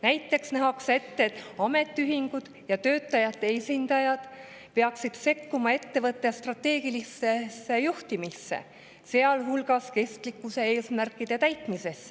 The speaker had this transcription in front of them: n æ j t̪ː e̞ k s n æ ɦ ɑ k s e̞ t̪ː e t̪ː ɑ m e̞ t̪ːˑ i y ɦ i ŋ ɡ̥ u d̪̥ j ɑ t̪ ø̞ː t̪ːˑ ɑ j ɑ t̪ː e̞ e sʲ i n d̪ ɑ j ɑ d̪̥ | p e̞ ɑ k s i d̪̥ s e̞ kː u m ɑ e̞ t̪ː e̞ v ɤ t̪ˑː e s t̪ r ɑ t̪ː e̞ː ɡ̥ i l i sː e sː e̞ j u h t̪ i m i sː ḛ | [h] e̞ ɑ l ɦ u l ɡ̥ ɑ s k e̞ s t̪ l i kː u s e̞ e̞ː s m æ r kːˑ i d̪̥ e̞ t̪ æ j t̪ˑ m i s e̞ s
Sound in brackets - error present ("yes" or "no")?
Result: yes